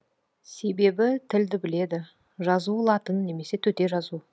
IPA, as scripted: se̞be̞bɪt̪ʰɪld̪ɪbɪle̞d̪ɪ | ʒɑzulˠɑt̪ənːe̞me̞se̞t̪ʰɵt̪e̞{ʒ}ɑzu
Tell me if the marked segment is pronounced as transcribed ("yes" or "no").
yes